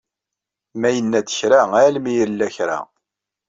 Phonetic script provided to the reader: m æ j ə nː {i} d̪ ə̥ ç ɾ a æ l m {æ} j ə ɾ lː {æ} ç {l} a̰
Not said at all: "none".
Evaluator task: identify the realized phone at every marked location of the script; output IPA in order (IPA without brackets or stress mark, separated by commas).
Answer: æ, i, æ, ɾ